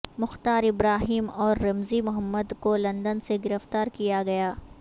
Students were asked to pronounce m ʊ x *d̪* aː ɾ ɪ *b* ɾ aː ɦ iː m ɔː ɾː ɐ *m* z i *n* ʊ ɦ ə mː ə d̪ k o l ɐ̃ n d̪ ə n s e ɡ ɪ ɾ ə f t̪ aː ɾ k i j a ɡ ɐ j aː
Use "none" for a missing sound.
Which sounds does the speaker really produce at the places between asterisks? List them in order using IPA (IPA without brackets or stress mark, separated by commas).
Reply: t̪, b, m, m